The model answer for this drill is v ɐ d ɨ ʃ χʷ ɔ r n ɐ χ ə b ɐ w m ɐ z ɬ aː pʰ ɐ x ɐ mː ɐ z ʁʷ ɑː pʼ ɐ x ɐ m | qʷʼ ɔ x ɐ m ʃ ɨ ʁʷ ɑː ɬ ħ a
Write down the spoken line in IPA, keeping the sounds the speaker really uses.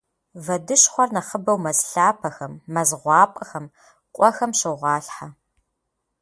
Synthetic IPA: v ɐ d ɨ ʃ χʷ ɔ r n ɐ χ ə b ɐ w m ɐ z ɬ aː pʰ ɐ x ɐ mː ɐ z ʁʷ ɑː pʼ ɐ x ɐ m | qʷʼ ɔ x ɐ m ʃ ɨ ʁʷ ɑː ɬ ħ a